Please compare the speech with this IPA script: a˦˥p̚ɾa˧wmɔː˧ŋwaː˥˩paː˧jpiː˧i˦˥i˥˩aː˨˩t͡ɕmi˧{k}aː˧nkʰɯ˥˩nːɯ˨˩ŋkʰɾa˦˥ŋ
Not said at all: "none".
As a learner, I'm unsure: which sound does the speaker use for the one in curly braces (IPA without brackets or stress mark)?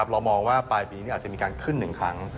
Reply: k